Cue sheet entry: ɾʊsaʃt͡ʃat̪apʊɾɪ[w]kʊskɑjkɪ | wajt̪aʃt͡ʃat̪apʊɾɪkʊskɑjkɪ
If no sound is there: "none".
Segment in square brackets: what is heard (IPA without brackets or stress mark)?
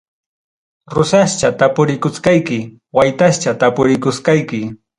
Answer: none